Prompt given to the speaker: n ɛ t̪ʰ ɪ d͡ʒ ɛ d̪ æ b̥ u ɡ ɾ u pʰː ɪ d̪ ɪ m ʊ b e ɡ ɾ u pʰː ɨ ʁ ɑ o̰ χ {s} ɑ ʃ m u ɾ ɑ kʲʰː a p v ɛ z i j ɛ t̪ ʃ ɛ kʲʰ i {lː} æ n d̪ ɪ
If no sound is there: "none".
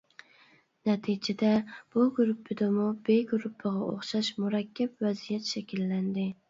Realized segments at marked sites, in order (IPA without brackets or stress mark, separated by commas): ʃ, lː